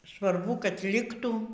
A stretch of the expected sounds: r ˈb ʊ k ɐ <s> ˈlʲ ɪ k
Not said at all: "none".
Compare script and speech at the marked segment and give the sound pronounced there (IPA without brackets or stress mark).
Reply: t